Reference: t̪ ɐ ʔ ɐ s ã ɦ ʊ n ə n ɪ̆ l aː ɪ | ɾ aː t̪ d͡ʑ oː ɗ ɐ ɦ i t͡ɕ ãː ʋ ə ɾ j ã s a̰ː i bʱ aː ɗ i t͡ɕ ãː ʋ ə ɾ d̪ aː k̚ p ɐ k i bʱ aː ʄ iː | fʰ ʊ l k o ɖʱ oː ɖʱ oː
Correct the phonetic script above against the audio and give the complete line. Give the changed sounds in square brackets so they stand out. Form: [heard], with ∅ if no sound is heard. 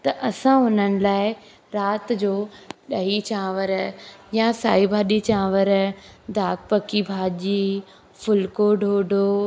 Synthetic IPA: t̪ ɐ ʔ ɐ s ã ɦ ʊ n ə n ɪ̆ l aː ɪ | ɾ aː t̪ d͡ʑ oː ɗ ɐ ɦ i t͡ɕ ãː ʋ ə ɾ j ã s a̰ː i bʱ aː ɗ i t͡ɕ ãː ʋ ə ɾ d̪ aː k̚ p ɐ k i bʱ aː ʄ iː | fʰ ʊ l k o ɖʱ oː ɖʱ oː

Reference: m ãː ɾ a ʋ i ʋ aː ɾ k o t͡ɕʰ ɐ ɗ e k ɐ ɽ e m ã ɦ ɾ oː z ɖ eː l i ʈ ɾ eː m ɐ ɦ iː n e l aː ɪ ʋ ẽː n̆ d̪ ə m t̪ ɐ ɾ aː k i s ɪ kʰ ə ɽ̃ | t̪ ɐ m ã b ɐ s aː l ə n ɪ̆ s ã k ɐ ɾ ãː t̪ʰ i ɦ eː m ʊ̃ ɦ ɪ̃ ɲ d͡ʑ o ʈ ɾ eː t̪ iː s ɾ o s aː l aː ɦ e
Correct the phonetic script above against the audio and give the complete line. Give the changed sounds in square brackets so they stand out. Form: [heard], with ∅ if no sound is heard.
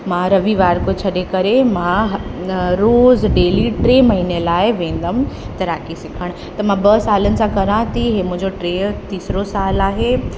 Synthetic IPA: m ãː ɾ [ɐ] ʋ i ʋ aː ɾ k o t͡ɕʰ ɐ ɗ e k ɐ [ɾ] e m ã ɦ ɾ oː z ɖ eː l i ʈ ɾ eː m ɐ ɦ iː n e l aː ɪ ʋ ẽː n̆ d̪ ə m t̪ ɐ ɾ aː k i s ɪ kʰ ə ɽ̃ | t̪ ɐ m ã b ɐ s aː l ə n ɪ̆ s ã k ɐ ɾ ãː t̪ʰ i ɦ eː m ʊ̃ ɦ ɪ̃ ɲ d͡ʑ o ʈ ɾ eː t̪ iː s ɾ o s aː l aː ɦ e

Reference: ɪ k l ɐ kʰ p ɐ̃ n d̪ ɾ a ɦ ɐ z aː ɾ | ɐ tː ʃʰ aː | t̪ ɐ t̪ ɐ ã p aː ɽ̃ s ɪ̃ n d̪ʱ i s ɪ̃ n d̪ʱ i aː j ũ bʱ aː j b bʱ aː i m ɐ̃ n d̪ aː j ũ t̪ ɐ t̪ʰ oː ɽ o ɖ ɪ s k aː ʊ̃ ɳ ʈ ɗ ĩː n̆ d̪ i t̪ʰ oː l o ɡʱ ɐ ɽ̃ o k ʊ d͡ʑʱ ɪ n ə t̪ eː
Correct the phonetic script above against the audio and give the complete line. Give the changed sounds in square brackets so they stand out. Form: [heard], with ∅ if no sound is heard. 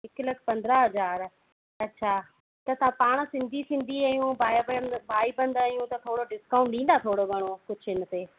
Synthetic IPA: ɪ k l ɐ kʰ p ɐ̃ n d̪ ɾ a ɦ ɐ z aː ɾ | ɐ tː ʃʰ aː | t̪ ɐ t̪ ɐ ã p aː ɽ̃ s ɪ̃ n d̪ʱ i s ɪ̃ n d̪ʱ i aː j ũ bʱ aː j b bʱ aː i [b] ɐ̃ n d̪ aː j ũ t̪ ɐ t̪ʰ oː ɽ o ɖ ɪ s k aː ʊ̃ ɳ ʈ ɗ ĩː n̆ d̪ [a] t̪ʰ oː [ɽ] o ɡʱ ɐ ɽ̃ o k ʊ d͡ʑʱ ɪ n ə t̪ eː

